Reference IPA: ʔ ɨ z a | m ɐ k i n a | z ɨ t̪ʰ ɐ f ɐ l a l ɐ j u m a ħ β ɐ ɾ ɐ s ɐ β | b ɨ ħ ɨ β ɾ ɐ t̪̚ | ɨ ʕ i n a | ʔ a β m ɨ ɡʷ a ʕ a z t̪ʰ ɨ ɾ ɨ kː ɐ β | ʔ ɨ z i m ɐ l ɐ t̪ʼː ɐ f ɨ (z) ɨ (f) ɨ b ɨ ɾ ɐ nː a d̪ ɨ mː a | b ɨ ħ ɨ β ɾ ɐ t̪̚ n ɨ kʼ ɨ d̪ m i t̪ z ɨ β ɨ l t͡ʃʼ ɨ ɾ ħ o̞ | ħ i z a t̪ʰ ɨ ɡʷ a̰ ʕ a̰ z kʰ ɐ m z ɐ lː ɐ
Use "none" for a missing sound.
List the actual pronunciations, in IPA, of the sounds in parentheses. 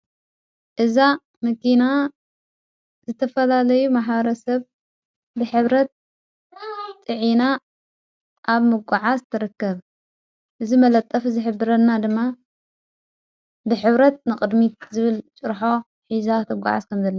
z, ħ

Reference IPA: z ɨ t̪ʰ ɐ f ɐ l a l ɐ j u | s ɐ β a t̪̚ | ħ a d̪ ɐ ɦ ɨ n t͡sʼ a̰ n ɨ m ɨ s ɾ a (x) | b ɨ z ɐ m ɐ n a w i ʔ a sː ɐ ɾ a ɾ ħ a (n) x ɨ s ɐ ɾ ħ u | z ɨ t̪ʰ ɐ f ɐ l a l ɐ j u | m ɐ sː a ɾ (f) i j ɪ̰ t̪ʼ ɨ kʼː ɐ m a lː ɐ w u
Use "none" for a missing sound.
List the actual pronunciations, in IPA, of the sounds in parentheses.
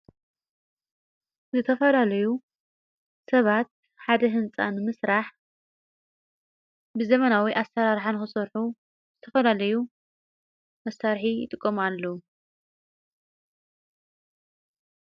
ħ, n, ħ

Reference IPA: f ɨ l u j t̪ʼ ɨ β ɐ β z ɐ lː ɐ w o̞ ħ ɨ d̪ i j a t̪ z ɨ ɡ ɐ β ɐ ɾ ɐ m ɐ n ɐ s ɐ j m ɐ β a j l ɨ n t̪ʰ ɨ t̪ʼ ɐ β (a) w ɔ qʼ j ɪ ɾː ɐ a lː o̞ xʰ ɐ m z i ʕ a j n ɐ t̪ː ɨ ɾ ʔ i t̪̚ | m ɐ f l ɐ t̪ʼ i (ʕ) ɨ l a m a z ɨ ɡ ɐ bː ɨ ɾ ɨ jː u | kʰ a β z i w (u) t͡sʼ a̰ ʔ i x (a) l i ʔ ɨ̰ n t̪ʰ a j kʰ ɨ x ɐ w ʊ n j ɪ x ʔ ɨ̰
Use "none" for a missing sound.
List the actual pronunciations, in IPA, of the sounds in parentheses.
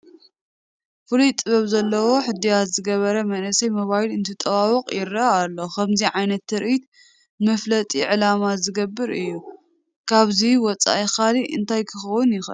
a, ʕ, ɔ, a

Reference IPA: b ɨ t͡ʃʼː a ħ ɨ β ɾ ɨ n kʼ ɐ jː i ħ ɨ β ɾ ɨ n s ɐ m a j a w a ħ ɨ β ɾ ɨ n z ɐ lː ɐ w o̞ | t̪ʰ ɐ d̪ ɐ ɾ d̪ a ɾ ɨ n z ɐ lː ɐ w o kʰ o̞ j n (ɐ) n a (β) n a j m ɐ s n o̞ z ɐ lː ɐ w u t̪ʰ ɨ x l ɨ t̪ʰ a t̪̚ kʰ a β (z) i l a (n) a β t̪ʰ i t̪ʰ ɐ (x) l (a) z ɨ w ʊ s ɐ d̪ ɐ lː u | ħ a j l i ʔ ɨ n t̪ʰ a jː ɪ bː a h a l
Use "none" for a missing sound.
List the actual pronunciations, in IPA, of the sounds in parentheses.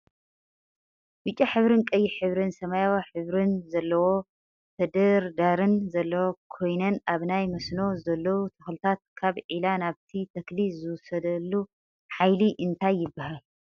ɐ, β, ʕ, n, k, i

